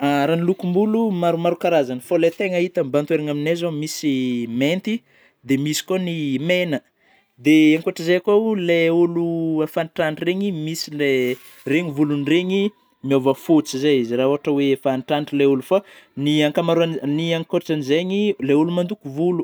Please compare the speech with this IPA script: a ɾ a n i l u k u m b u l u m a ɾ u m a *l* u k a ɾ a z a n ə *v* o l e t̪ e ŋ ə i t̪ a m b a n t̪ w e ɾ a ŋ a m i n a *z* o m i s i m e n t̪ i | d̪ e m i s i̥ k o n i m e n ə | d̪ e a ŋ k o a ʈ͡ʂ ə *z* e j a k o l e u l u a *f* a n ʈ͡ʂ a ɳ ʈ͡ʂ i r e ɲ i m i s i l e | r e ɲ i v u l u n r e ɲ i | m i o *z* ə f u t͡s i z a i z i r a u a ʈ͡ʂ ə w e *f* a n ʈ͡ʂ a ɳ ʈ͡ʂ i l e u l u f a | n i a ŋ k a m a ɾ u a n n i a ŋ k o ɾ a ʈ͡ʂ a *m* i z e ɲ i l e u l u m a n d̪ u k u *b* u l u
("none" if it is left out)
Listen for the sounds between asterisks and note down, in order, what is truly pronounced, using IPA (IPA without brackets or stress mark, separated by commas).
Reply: ɾ, f, z, z, f, v, f, n, v